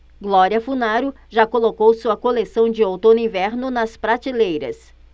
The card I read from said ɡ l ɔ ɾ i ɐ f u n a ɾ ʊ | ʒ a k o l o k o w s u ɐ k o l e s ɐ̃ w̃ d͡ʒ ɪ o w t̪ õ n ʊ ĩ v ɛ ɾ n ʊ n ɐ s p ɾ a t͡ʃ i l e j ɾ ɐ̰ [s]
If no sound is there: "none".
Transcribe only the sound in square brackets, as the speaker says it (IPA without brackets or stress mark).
s